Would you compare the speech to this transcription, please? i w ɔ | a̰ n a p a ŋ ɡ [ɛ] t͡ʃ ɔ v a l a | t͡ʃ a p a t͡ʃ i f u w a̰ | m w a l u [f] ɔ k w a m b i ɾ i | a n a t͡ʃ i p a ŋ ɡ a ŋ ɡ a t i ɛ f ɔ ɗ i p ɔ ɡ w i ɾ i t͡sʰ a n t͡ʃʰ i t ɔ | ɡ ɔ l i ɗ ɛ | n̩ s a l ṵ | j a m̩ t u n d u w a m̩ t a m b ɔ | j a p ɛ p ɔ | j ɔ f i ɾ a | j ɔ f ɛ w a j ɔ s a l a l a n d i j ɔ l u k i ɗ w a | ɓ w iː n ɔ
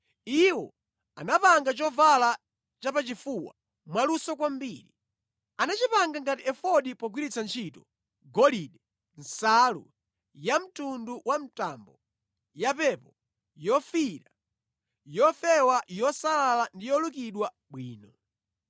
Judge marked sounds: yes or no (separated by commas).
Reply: no, no